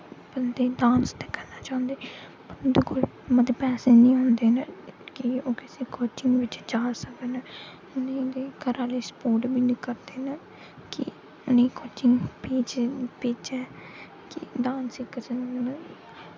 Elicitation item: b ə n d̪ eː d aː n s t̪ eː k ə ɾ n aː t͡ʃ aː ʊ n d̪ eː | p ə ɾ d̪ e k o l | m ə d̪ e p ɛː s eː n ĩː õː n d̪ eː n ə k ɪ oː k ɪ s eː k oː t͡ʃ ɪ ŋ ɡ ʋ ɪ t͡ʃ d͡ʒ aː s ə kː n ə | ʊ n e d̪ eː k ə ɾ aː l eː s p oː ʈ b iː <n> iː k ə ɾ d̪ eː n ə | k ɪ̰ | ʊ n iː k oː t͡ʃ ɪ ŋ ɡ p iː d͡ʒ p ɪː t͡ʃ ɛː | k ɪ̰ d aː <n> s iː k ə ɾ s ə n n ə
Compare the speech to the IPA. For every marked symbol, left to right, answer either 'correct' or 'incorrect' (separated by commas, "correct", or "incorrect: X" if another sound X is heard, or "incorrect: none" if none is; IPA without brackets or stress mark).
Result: correct, correct